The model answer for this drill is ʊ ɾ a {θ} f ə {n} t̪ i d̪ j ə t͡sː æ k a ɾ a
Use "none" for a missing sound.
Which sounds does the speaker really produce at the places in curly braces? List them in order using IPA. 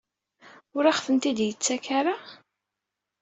χ, n

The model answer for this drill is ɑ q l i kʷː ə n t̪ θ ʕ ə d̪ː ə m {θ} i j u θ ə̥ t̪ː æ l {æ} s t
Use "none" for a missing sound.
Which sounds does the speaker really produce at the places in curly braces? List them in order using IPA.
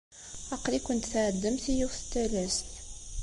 θ, æ

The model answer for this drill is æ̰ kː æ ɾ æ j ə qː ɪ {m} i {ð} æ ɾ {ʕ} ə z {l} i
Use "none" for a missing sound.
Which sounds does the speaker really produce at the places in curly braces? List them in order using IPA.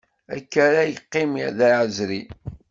m, ð, ʕ, ɾ

